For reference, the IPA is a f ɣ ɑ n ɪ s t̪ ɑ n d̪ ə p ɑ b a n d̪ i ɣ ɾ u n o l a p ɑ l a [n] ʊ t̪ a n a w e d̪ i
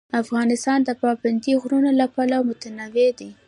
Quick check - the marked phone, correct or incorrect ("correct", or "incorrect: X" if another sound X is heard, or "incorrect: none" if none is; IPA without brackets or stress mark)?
incorrect: m